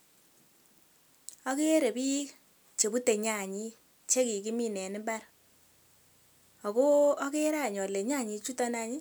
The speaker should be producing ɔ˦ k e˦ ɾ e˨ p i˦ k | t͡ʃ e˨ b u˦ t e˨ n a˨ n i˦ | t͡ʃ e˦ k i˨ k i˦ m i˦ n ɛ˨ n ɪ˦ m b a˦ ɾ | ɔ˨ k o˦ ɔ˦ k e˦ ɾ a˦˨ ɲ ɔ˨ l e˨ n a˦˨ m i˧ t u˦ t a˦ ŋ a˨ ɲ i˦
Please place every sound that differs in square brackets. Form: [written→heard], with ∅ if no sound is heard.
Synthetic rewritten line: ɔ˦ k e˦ ɾ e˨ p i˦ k | t͡ʃ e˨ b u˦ t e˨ [n→ɲ] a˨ [n→ɲ] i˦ | t͡ʃ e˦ k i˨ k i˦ m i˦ n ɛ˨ n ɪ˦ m b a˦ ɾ | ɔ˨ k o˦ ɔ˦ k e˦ ɾ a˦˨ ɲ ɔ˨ l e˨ [n→ɲ] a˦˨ [m→ɲ] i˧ [t→t͡ʃ] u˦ t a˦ [ŋ→n] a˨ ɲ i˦